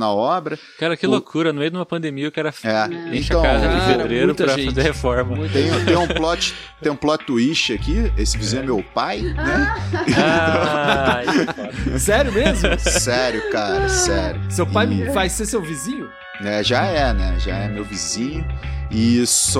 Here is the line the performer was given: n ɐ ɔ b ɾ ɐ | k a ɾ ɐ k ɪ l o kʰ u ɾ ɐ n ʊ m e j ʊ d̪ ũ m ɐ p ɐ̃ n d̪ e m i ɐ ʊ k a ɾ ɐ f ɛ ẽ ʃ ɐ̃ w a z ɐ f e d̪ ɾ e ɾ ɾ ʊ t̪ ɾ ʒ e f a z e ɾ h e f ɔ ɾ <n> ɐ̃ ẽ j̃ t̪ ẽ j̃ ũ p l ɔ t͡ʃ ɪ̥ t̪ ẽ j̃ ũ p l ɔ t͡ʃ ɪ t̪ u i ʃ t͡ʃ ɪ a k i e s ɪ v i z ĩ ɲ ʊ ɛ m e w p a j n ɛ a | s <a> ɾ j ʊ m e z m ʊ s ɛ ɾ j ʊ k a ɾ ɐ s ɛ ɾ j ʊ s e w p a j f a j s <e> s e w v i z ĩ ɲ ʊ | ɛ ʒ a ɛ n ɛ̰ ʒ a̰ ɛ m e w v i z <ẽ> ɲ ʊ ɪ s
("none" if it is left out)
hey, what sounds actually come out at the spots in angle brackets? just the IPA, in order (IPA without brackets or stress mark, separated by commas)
m, ɛ, e, ĩ